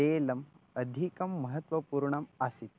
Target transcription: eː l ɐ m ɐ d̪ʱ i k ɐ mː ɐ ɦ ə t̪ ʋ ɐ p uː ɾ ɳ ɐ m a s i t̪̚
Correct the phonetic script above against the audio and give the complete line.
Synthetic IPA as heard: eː l ɐ m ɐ d̪ʱ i k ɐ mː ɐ ɦ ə t̪ ʋ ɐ p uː ɾ ɳ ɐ m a s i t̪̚